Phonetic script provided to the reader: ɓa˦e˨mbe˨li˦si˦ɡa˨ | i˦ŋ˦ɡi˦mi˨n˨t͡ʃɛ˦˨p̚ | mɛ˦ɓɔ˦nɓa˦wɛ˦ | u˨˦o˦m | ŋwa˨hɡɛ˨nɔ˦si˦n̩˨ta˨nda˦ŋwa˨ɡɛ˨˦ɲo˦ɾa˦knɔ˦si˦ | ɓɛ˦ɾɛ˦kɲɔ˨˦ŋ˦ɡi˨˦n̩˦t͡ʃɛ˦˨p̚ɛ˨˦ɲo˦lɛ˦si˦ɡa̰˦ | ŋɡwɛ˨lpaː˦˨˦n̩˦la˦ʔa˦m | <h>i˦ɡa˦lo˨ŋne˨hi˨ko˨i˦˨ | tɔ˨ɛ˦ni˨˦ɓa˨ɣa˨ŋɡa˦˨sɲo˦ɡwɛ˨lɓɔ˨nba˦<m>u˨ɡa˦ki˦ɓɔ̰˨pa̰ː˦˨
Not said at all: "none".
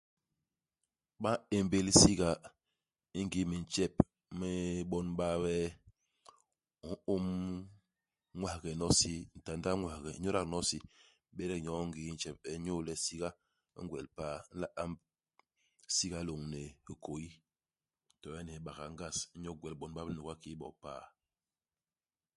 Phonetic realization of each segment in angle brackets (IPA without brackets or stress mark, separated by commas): s, n